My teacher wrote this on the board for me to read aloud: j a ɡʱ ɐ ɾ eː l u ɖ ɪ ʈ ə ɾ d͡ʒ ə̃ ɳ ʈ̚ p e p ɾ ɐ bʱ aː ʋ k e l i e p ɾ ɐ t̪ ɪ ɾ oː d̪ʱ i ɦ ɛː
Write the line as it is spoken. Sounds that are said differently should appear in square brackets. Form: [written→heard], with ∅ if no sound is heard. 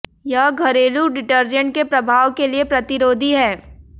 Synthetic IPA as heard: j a ɡʱ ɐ ɾ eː l u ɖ ɪ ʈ ə ɾ d͡ʒ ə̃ ɳ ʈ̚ [p→k] e p ɾ ɐ bʱ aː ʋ k e l i e p ɾ ɐ t̪ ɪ ɾ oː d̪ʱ i ɦ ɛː